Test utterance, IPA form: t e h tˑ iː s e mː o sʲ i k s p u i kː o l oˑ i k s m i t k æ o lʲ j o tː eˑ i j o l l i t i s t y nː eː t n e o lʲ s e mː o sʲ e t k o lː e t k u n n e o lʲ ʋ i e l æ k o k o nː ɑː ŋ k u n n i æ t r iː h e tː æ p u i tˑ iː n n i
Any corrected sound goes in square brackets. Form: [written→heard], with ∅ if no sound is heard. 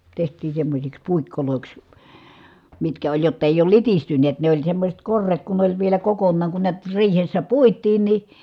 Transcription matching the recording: t e h tˑ iː s e mː o sʲ i k s p u i kː o l oˑ i k s m i t k æ o lʲ j o tː eˑ i j [o→oː] l l i t i s t y nː eː t n e o lʲ s e mː o sʲ e t k o [lː→rː] e t k u n n e o lʲ ʋ i e l æ k o k o nː ɑː ŋ k u n n i æ t r iː h e [tː→sː] æ p u i tˑ iː n n i